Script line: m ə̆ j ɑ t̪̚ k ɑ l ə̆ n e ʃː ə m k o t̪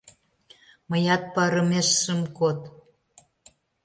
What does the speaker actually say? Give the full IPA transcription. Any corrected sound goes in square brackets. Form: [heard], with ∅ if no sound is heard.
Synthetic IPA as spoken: m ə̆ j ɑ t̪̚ [p] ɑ [ɾ] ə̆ [m] e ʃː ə m k o t̪